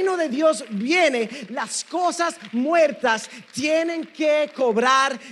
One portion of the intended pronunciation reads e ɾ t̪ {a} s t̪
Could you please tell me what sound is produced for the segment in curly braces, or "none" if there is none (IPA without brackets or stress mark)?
a